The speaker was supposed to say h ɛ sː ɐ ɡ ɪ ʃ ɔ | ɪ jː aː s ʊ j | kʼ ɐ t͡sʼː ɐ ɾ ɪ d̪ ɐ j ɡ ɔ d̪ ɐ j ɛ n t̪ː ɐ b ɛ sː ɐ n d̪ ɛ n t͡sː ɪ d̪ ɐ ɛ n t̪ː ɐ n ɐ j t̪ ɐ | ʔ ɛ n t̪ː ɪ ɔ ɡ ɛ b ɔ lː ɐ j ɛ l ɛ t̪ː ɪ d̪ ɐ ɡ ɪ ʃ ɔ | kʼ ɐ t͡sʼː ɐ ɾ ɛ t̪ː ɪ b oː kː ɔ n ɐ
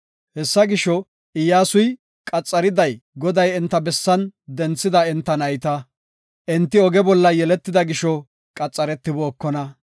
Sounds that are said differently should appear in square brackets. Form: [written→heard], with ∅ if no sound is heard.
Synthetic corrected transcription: h ɛ sː ɐ ɡ ɪ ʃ ɔ | ɪ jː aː s ʊ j | kʼ ɐ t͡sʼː ɐ ɾ ɪ d̪ ɐ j ɡ ɔ d̪ ɐ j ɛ n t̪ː ɐ b ɛ sː ɐ n d̪ ɛ n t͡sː ɪ d̪ ɐ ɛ n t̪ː ɐ n ɐ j t̪ ɐ | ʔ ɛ n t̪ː ɪ ɔ ɡ ɛ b ɔ lː ɐ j ɛ l ɛ t̪ː ɪ d̪ ɐ ɡ ɪ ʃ ɔ | kʼ ɐ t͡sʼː ɐ ɾ ɛ t̪ː ɪ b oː kː ɔ n ɐ